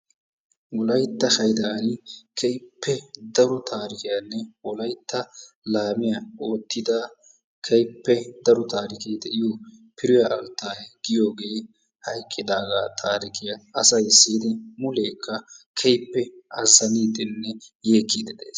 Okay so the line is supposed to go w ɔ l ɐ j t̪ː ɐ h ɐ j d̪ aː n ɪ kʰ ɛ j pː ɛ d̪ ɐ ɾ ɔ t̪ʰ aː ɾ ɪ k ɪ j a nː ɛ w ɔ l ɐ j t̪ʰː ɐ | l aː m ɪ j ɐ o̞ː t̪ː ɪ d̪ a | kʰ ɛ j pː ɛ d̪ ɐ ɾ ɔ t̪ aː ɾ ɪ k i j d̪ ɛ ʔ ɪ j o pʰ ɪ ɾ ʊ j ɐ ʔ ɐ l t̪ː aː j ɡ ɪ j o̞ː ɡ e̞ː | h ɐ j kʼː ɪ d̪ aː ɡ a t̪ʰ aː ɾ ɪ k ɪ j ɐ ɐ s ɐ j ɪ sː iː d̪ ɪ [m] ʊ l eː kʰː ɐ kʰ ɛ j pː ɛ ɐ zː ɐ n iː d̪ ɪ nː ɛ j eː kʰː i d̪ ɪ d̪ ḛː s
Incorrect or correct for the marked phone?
correct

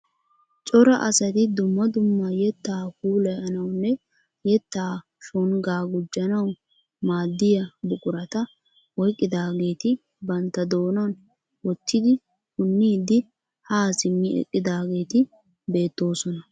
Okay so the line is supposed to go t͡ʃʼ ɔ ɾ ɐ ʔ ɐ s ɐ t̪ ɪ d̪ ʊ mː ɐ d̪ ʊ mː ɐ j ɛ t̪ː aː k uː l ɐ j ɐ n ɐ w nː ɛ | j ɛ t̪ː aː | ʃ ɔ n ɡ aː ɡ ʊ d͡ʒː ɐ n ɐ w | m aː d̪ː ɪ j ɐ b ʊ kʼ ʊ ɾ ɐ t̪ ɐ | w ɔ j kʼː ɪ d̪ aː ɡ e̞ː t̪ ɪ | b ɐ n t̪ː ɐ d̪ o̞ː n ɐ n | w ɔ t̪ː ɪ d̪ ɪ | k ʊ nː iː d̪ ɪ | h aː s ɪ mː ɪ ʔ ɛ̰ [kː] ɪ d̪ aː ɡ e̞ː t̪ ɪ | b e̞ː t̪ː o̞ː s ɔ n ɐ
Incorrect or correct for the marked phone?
incorrect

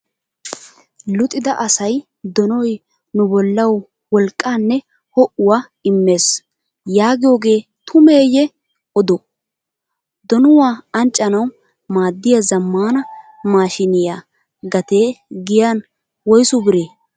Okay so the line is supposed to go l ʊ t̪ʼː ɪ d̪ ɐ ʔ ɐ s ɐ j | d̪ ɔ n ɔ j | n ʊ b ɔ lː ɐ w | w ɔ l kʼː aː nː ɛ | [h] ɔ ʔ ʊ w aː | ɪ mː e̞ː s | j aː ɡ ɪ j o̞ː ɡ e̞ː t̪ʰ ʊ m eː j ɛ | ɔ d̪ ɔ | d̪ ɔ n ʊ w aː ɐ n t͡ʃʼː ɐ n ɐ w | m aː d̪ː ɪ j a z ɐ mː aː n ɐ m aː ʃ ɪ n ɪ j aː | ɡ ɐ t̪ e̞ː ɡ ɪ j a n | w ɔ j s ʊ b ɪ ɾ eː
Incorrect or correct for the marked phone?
correct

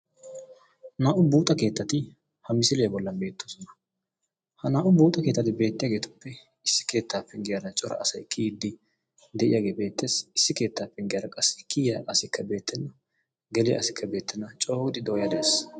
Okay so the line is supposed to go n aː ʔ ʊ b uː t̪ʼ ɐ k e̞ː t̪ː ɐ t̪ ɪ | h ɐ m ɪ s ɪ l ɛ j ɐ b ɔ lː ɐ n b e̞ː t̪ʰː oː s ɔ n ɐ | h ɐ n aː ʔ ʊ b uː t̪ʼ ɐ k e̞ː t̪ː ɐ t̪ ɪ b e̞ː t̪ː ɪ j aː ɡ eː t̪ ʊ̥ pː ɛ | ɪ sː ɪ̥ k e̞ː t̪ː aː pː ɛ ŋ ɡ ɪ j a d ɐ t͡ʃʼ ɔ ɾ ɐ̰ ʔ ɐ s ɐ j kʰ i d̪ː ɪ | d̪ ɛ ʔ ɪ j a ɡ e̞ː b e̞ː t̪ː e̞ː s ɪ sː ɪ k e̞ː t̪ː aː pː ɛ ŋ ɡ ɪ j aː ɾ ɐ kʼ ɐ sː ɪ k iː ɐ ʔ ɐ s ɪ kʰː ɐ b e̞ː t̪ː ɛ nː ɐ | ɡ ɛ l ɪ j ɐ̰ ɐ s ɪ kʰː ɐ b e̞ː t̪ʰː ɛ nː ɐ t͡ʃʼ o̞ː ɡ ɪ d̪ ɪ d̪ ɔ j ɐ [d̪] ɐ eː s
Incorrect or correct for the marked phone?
correct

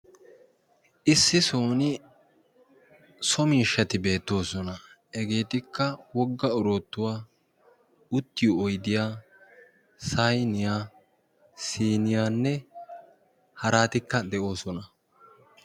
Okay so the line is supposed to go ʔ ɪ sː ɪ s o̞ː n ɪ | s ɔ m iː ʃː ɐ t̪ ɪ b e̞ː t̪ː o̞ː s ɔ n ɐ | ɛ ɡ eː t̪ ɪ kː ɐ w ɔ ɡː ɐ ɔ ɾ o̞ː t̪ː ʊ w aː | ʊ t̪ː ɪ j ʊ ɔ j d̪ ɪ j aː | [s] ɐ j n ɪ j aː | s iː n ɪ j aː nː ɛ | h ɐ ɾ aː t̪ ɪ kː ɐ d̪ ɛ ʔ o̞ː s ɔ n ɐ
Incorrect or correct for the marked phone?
correct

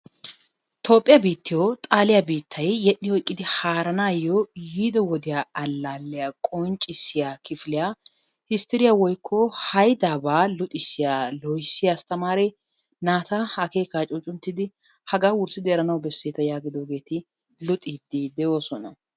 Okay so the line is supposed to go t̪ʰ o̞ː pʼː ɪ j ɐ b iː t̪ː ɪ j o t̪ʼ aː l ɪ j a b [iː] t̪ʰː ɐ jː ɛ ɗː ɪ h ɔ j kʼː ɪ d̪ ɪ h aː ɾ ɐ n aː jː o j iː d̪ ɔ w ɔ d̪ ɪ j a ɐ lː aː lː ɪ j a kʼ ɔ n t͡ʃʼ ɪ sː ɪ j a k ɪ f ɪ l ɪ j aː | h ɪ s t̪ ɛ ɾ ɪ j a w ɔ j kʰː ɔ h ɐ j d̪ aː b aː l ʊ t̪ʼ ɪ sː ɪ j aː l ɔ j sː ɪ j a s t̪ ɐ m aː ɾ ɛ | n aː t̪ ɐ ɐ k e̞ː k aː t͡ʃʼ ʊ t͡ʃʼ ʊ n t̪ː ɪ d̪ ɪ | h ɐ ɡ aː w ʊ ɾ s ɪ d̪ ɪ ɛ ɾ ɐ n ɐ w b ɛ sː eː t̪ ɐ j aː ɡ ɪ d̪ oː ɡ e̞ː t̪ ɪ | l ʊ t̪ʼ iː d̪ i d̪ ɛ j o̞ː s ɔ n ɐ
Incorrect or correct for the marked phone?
correct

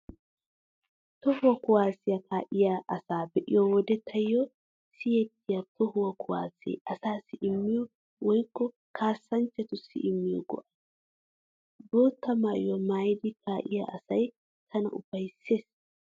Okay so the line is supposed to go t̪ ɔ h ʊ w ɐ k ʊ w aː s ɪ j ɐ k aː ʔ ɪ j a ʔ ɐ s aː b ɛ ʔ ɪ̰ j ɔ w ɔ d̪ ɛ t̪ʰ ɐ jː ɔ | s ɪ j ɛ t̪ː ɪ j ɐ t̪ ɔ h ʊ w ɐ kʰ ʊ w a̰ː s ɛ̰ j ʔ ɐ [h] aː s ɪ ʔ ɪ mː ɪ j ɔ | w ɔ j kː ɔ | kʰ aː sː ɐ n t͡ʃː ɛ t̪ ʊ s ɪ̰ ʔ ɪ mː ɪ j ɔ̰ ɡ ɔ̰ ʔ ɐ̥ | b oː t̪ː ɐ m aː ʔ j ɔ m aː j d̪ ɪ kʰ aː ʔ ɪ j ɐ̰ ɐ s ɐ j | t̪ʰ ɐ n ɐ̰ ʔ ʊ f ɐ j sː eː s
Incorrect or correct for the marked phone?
incorrect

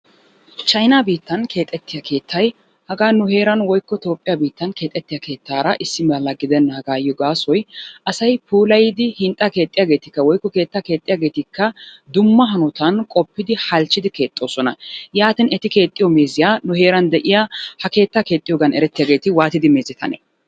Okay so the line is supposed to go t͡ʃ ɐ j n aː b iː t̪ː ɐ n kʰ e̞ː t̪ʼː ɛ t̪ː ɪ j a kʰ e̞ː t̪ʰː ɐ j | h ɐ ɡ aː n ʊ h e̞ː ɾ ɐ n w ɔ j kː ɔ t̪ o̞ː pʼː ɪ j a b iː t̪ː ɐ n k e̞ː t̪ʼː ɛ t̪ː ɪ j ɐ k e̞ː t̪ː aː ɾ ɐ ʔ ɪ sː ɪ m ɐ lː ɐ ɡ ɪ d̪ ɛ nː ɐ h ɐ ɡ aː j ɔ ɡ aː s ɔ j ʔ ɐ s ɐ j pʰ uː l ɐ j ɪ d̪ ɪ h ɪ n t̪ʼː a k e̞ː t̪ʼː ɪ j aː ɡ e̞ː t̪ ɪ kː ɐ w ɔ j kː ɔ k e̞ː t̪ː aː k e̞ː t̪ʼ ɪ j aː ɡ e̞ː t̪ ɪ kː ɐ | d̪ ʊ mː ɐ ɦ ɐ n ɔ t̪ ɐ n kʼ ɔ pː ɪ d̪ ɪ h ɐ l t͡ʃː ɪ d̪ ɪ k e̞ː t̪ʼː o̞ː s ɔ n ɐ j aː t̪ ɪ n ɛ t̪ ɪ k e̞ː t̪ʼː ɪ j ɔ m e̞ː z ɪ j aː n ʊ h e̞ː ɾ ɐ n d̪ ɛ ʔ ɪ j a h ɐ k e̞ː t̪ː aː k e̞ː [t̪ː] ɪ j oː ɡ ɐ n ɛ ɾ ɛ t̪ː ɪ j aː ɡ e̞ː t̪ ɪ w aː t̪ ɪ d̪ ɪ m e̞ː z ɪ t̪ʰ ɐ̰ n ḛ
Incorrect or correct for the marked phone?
incorrect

